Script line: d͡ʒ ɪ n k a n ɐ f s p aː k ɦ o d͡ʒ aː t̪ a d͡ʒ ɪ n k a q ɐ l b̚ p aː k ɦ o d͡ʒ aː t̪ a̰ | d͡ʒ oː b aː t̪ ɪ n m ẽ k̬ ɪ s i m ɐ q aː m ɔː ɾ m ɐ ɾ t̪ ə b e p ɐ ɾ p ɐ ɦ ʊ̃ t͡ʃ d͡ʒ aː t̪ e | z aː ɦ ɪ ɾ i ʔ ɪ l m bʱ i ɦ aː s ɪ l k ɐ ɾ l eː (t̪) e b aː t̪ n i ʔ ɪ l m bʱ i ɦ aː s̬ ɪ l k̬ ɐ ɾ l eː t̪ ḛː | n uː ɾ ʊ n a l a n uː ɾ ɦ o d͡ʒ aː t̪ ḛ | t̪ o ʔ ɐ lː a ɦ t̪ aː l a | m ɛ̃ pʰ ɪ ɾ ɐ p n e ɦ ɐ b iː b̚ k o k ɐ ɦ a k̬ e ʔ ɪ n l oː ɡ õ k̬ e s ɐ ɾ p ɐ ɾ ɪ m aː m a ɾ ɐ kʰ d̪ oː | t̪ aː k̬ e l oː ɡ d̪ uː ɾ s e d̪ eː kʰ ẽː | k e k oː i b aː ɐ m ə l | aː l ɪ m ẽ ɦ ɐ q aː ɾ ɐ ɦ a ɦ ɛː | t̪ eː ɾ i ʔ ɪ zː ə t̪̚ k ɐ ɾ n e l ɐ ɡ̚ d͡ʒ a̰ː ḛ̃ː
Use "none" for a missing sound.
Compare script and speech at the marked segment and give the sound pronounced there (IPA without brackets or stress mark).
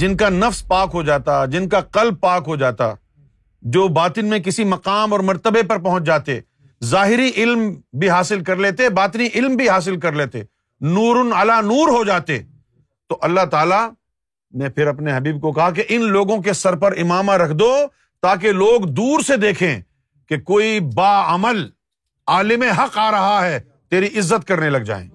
t̪